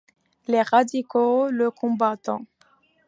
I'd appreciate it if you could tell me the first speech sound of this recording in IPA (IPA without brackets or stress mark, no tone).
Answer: l